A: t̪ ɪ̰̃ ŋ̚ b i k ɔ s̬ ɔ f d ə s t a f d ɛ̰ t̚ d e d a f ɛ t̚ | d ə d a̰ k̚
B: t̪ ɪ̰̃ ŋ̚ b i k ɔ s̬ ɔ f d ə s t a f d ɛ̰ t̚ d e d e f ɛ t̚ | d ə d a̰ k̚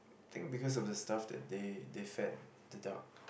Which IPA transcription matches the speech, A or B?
B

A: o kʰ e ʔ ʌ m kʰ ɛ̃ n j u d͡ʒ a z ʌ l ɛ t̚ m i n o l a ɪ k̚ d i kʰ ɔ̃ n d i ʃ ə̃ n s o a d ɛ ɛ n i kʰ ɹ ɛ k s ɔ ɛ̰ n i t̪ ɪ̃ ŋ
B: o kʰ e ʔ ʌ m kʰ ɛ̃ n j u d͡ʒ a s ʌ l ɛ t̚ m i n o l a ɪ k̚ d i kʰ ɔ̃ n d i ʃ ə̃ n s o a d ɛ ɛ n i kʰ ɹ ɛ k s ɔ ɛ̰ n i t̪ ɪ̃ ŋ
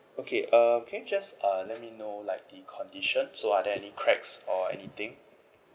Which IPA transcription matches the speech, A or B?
B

